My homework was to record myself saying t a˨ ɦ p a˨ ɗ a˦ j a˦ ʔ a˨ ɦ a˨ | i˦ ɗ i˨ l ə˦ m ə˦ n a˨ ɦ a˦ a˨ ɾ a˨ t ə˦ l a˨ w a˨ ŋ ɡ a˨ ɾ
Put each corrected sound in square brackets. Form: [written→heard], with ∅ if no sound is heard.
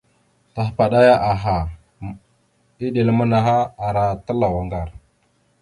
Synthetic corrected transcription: t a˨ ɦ p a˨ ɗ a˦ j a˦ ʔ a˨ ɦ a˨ | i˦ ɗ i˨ l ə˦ m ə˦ n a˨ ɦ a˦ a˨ ɾ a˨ t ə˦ l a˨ w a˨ ŋ ɡ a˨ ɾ